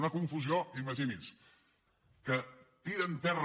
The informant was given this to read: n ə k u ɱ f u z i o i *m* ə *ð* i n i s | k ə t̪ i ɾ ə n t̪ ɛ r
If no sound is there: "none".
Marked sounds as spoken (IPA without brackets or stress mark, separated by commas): m, ʒ